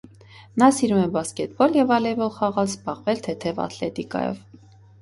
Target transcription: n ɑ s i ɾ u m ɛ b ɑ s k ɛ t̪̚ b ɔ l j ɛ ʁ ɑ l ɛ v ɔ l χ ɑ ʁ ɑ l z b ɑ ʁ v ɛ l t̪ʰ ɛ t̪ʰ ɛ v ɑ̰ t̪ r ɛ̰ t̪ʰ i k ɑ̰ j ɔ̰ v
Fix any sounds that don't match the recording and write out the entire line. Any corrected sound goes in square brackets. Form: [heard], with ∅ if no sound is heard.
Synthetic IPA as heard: n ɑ s i ɾ u m ɛ b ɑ s k ɛ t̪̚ b ɔ l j ɛ [v] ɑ l ɛ v ɔ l χ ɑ ʁ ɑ l z b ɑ ʁ v ɛ l t̪ʰ ɛ t̪ʰ ɛ v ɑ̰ t̪ [l] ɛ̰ [t̪] i k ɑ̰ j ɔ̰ v